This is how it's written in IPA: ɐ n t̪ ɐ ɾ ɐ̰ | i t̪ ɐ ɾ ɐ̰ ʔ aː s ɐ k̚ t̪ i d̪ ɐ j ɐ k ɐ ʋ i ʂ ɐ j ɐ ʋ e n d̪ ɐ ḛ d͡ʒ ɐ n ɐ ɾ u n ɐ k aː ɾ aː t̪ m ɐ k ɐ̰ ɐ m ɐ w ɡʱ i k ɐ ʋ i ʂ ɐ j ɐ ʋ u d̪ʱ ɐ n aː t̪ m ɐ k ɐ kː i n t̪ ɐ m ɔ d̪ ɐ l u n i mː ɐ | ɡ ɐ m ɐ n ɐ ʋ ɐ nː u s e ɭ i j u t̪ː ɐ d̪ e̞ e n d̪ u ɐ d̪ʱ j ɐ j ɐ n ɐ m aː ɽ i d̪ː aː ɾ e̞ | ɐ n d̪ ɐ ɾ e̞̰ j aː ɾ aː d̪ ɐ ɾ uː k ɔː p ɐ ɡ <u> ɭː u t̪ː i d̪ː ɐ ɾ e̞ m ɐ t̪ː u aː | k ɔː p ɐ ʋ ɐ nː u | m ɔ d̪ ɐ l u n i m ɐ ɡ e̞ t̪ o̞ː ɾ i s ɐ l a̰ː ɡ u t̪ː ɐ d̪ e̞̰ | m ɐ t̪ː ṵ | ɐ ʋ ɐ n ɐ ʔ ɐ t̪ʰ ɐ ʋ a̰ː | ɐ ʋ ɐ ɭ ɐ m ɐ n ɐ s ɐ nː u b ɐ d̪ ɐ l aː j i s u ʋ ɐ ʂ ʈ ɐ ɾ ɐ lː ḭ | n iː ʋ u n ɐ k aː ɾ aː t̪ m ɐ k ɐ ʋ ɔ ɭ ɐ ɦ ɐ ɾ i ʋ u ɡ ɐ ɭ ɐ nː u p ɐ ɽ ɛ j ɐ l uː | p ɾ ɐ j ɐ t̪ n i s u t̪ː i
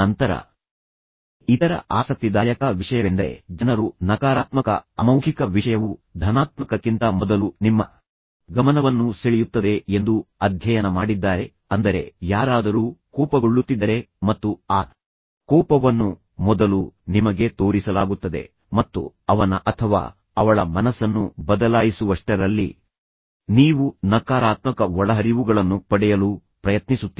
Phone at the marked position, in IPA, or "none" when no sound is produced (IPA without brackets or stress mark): o